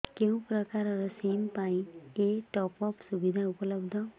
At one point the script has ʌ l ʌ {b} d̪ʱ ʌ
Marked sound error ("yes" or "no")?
no